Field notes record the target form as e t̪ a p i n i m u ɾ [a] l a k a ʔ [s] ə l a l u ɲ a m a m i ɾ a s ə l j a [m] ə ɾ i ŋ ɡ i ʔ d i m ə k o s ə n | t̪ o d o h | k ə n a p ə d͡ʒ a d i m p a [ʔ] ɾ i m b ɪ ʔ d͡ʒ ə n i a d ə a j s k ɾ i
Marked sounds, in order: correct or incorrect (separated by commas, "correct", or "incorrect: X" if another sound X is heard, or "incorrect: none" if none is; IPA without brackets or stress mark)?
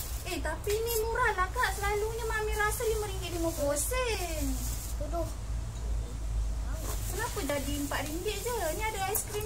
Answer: correct, correct, correct, correct